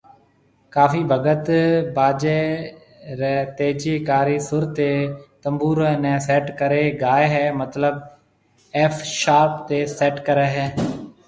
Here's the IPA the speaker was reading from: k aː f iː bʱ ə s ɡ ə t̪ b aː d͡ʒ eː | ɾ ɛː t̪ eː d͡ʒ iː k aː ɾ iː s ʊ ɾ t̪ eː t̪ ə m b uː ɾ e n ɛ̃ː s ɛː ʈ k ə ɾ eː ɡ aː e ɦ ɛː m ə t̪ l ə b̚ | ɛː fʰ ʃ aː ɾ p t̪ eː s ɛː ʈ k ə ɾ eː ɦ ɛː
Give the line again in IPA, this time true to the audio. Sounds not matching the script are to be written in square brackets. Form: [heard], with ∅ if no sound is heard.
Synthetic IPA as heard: k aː f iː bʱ ə [∅] ɡ ə t̪ b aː d͡ʒ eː | ɾ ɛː t̪ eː d͡ʒ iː k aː ɾ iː s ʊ ɾ t̪ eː t̪ ə m b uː ɾ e n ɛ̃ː s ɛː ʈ k ə ɾ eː ɡ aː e ɦ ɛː m ə t̪ l ə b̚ | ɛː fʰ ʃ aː ɾ p t̪ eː s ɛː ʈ k ə ɾ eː ɦ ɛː